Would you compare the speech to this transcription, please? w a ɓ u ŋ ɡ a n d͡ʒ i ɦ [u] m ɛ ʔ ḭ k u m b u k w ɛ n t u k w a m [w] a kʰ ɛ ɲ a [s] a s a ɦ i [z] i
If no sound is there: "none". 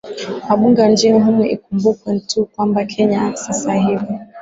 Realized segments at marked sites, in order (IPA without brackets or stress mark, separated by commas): u, b, s, v